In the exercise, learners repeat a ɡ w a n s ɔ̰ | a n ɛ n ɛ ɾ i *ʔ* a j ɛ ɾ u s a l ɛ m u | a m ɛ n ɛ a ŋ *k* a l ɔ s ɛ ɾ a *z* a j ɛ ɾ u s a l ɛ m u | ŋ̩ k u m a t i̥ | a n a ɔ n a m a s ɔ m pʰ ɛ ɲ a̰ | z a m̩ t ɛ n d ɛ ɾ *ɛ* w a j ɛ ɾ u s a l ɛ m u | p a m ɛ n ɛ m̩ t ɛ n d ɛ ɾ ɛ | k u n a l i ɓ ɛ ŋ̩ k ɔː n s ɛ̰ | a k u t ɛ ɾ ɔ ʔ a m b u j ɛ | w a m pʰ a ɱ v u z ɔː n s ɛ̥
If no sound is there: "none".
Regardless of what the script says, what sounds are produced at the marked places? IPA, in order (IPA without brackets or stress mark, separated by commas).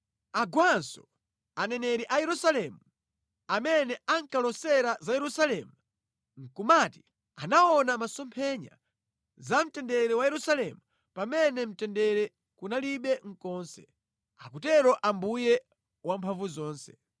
ʔ, k, z, ɛ